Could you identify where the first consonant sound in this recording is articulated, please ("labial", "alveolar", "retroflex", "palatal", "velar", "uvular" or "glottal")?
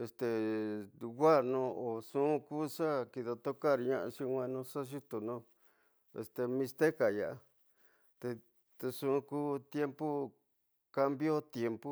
alveolar